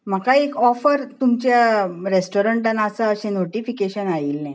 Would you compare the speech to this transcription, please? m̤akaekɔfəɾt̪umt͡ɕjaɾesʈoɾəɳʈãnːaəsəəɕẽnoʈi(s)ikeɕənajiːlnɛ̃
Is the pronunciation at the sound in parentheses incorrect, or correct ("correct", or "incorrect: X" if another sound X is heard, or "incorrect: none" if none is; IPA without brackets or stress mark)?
incorrect: f